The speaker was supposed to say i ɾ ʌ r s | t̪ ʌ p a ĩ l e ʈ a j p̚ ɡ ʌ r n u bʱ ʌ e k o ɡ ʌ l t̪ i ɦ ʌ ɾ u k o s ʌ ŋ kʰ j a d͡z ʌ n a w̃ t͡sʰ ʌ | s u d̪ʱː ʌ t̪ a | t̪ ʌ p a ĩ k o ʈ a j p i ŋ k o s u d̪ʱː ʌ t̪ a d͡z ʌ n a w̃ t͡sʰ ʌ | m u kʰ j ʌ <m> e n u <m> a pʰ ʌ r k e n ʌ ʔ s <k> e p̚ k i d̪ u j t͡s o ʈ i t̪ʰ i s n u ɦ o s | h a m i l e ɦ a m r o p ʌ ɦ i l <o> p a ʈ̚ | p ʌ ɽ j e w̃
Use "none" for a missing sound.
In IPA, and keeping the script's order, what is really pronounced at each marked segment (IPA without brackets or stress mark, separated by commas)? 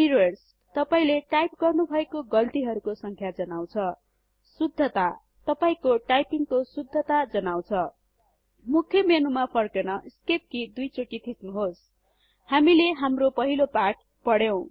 m, m, k, o